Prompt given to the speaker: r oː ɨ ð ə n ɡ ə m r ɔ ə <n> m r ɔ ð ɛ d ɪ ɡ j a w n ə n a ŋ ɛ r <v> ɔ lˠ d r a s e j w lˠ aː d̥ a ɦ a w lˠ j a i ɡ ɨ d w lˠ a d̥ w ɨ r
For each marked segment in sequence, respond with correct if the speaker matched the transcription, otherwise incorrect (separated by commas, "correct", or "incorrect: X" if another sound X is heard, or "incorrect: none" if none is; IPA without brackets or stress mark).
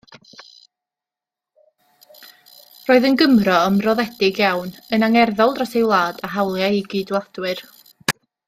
incorrect: none, incorrect: ð